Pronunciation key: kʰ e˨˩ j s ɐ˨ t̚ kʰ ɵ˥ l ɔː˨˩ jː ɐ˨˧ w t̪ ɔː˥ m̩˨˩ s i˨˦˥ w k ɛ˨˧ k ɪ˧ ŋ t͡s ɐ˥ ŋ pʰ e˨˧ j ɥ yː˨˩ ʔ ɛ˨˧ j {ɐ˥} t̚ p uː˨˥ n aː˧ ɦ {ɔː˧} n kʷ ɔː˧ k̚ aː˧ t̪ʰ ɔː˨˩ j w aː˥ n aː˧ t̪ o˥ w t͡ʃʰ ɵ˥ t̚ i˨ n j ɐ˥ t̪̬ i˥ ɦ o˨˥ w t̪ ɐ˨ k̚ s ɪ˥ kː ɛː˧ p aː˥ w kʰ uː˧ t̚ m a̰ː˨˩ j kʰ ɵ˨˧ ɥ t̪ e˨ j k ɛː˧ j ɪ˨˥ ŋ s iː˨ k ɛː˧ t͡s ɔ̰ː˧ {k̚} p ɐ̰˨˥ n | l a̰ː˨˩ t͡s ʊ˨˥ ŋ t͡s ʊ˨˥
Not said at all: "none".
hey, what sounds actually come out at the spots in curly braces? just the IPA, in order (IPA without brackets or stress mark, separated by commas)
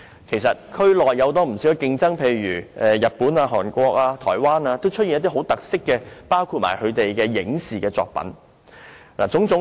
ɐ˨, ɔː˨˩, k̚